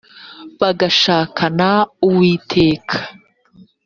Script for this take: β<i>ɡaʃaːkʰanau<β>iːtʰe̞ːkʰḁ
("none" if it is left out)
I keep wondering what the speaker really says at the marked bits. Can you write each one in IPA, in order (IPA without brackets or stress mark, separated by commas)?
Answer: a, w